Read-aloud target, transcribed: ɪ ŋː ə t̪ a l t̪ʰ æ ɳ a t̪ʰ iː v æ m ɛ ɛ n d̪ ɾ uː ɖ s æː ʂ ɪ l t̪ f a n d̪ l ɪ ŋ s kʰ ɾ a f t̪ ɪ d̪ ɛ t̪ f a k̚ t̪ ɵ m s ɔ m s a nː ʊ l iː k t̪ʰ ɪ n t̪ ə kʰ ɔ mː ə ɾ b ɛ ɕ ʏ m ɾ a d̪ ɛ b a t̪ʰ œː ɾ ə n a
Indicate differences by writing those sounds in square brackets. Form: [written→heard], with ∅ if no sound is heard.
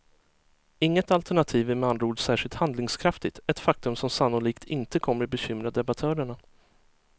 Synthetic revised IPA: ɪ ŋː ə t̪ a l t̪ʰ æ ɳ a t̪ʰ iː v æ m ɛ [ɛ→a] n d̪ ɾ uː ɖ s æː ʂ ɪ l t̪ [f→h] a n d̪ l ɪ ŋ s kʰ ɾ a f t̪ ɪ [d̪→t̪] ɛ t̪ f a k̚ t̪ ɵ m s ɔ m s a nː ʊ l iː k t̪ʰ ɪ n t̪ ə kʰ ɔ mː ə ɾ b ɛ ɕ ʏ m ɾ a d̪ ɛ b a t̪ʰ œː ɾ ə [n→ɳ] a